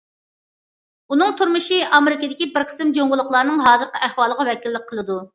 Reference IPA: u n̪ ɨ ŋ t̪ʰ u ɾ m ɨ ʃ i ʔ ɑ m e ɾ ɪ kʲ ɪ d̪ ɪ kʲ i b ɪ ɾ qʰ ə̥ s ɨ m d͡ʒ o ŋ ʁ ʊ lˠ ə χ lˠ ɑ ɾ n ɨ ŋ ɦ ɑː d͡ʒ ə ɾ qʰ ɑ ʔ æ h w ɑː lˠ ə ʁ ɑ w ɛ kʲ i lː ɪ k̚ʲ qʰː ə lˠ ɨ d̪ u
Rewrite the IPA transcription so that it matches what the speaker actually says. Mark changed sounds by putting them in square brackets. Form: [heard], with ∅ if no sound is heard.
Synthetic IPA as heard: u n̪ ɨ ŋ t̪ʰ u ɾ m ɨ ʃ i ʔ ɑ m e ɾ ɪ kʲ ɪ d̪ ɪ kʲ i b ɪ ɾ qʰ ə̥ s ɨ m d͡ʒ o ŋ ʁ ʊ lˠ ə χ lˠ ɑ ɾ n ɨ ŋ ɦ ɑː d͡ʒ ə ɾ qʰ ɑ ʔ æ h w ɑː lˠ ə ʁ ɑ w ɛ kʲ i lː ɪ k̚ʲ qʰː ə lˠ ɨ d̪ u